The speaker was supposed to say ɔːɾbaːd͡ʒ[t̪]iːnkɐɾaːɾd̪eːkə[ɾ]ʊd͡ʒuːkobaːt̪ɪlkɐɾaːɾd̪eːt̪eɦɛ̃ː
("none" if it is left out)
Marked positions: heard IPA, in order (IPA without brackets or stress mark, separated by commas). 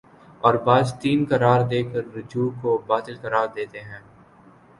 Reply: t̪, ɾː